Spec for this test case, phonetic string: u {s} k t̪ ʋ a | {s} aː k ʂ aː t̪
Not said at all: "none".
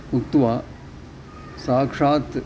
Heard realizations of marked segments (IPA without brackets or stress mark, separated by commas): none, s